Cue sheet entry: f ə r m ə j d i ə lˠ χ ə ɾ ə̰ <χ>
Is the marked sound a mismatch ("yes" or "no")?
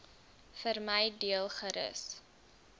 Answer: yes